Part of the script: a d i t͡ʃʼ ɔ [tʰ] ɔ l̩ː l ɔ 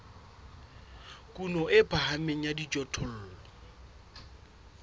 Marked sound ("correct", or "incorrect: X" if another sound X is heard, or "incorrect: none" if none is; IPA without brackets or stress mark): correct